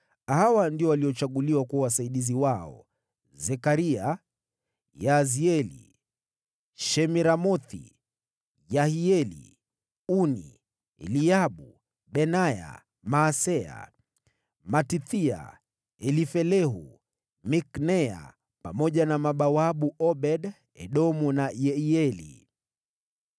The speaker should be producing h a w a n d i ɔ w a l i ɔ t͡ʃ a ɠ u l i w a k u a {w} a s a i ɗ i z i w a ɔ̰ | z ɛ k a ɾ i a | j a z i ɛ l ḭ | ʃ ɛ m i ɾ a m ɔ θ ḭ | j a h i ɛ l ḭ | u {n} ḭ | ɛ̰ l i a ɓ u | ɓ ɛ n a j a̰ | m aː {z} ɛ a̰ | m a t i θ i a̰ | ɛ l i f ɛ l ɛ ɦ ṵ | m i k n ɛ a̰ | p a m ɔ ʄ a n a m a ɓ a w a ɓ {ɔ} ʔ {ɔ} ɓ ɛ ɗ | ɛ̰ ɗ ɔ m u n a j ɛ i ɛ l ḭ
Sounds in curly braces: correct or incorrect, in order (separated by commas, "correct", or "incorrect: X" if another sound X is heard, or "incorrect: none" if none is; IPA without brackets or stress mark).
correct, correct, incorrect: s, incorrect: u, correct